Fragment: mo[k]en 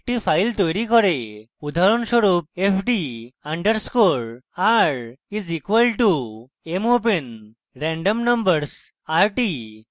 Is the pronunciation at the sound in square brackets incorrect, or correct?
incorrect